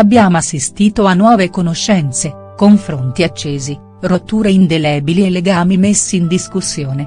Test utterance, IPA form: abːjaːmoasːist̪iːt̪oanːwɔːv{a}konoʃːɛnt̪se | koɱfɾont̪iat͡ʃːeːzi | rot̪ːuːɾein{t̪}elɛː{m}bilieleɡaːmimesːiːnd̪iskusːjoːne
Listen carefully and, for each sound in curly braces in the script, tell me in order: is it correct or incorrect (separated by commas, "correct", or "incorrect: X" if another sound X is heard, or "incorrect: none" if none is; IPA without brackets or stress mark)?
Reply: incorrect: e, incorrect: d̪, incorrect: none